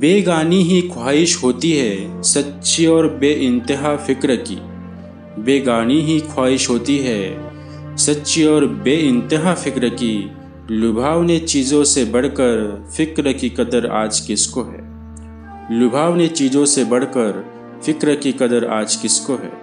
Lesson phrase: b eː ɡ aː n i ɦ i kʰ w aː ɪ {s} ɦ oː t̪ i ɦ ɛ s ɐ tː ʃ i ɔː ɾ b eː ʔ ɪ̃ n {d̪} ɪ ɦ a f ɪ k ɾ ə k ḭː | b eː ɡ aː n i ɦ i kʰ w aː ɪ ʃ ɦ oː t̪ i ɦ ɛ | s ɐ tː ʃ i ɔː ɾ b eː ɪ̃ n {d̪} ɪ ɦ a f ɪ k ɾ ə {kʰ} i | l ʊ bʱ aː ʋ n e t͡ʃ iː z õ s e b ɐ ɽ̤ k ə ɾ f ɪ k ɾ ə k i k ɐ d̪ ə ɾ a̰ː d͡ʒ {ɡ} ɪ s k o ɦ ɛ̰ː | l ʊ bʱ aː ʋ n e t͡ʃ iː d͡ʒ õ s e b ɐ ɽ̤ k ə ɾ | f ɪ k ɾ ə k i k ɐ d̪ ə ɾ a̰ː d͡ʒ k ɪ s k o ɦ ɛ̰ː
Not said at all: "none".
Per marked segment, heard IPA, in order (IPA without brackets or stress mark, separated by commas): ʃ, t̪, t̪, k, k